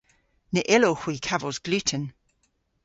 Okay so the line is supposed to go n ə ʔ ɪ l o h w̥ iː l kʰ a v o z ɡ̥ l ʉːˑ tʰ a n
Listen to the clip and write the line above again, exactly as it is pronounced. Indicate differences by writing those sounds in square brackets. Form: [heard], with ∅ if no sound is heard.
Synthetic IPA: n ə ʔ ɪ l o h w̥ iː [∅] kʰ a v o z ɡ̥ l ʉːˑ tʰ [ə] n